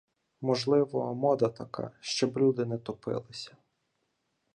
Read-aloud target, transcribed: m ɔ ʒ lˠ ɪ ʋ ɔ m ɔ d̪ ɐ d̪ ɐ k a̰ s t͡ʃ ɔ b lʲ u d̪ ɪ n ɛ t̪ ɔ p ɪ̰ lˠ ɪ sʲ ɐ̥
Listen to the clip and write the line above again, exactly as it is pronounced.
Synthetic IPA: m ɔ ʒ lˠ ɪ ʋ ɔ m ɔ d̪ ɐ t̪ ɐ k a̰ ʃ t͡ʃ ɔ b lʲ u d̪ ɪ n ɛ t̪ ɔ p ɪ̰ lˠ ɪ sʲ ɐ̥